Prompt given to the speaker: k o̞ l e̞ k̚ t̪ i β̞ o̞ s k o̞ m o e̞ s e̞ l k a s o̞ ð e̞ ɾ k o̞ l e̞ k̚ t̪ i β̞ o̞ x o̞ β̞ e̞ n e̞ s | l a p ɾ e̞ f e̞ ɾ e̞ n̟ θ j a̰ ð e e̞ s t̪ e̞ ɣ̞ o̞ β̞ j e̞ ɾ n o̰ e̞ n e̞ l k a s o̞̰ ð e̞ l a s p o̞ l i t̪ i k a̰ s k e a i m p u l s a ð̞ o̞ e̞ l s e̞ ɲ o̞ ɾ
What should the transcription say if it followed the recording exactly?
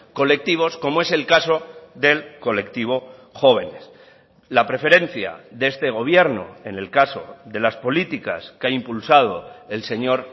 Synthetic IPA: k o̞ l e̞ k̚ t̪ i β̞ o̞ s k o̞ m o e̞ s e̞ l k a s o̞ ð e̞ l k o̞ l e̞ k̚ t̪ i β̞ o̞ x o̞ β̞ e̞ n e̞ s | l a p ɾ e̞ f e̞ ɾ e̞ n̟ θ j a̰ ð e e̞ s t̪ e̞ ɣ̞ o̞ β̞ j e̞ ɾ n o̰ e̞ n e̞ l k a s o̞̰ ð e̞ l a s p o̞ l i t̪ i k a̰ s k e a i m p u l s a ð̞ o̞ e̞ l s e̞ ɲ o̞ ɾ

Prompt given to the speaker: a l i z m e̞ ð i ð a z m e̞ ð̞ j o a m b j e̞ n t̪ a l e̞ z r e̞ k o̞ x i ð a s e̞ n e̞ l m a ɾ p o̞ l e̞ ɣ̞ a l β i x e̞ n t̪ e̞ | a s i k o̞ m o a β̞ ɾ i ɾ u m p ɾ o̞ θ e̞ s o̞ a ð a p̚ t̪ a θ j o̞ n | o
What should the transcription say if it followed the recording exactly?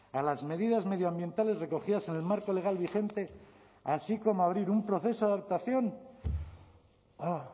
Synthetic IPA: a l a z m e̞ ð i ð a z m e̞ ð̞ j o a m b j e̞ n t̪ a l e̞ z r e̞ k o̞ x i ð a s e̞ n e̞ l m a ɾ k o̞ l e̞ ɣ̞ a l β i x e̞ n t̪ e̞ | a s i k o̞ m o a β̞ ɾ i ɾ u m p ɾ o̞ θ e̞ s o̞ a ð a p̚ t̪ a θ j o̞ n | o

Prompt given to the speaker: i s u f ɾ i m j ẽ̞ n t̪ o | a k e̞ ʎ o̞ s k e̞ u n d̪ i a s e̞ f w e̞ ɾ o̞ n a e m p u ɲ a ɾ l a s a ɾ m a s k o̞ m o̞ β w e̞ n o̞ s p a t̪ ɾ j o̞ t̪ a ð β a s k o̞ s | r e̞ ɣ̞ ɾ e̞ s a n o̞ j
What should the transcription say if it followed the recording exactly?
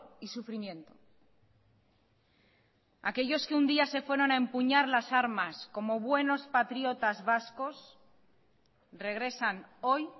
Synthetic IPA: i s u f ɾ i m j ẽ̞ n t̪ o | a k e̞ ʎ o̞ s k e̞ u n d̪ i a s e̞ f w e̞ ɾ o̞ n a e m p u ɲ a ɾ l a s a ɾ m a s k o̞ m o̞ β w e̞ n o̞ s p a t̪ ɾ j o̞ t̪ a z β a s k o̞ s | r e̞ ɣ̞ ɾ e̞ s a n o̞ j

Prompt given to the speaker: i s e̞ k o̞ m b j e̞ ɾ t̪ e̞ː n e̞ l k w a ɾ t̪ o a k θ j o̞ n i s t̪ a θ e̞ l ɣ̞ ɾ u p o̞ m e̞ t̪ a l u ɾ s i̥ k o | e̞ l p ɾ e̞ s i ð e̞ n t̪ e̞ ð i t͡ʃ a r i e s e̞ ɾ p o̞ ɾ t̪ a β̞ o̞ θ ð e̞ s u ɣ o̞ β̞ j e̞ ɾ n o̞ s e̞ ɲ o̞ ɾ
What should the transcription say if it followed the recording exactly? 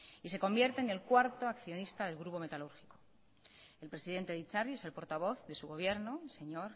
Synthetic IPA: i s e̞ k o̞ m b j e̞ ɾ t̪ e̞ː n e̞ l k w a ɾ t̪ o a k θ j o̞ n i s t̪ a ð e̞ l ɣ̞ ɾ u p o̞ m e̞ t̪ a l u ɾ x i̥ k o | e̞ l p ɾ e̞ s i ð e̞ n t̪ e̞ ð i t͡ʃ a r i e s e̞ l p o̞ ɾ t̪ a β̞ o̞ θ ð e̞ s u ɣ o̞ β̞ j e̞ ɾ n o̞ s e̞ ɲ o̞ ɾ

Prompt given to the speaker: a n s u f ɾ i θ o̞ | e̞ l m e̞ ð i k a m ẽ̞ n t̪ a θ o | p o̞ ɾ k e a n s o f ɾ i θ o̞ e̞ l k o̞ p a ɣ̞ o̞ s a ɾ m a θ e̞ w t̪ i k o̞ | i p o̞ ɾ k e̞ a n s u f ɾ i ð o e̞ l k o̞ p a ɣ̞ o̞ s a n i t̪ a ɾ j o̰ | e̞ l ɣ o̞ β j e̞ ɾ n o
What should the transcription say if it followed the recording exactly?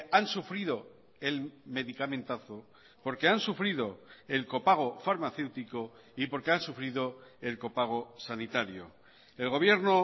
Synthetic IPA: a n s u f ɾ i ð o̞ | e̞ l m e̞ ð i k a m ẽ̞ n t̪ a θ o | p o̞ ɾ k e a n s u f ɾ i ð o̞ e̞ l k o̞ p a ɣ̞ o̞ f a ɾ m a θ e̞ w t̪ i k o̞ | i p o̞ ɾ k e̞ a n s u f ɾ i ð o e̞ l k o̞ p a ɣ̞ o̞ s a n i t̪ a ɾ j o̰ | e̞ l ɣ o̞ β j e̞ ɾ n o

